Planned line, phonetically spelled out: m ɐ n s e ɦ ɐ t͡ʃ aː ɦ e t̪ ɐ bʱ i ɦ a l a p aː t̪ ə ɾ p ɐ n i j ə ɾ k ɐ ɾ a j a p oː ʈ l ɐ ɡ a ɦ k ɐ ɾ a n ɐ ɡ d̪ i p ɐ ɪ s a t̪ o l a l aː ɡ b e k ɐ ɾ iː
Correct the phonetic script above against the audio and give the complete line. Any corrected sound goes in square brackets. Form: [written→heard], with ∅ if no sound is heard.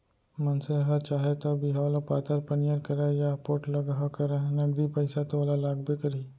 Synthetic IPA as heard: m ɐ n s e ɦ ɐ t͡ʃ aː ɦ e t̪ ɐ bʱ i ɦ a l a p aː t̪ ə ɾ p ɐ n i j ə ɾ k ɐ ɾ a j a p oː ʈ l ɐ ɡ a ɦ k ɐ ɾ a n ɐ ɡ d̪ i p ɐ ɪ s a t̪ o l a l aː ɡ b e k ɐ ɾ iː